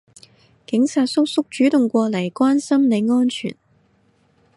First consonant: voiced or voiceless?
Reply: voiceless